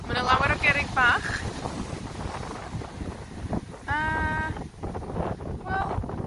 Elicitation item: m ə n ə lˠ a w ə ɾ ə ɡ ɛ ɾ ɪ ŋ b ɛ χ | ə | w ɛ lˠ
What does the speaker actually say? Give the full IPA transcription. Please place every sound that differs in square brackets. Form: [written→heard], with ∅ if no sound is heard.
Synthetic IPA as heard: m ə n ə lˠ a w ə ɾ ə ɡ ɛ ɾ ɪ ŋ b [ɛ→a] χ | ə | w ɛ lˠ